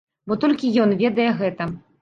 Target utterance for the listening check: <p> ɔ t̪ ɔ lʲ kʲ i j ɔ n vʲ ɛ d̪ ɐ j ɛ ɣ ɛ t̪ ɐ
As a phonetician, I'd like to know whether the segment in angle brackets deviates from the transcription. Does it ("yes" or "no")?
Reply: yes